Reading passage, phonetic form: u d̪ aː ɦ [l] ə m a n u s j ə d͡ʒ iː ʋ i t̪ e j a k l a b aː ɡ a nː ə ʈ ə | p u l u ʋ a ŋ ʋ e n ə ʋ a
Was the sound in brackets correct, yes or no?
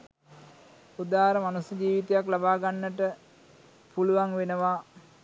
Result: no